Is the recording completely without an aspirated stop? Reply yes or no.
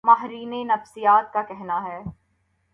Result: yes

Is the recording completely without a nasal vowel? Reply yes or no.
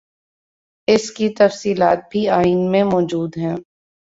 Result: no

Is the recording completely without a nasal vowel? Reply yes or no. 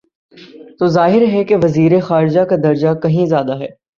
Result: no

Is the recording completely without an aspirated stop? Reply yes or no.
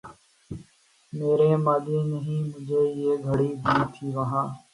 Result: no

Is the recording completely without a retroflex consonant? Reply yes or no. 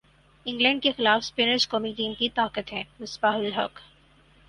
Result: no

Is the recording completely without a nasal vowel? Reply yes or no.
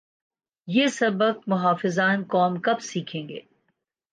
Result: no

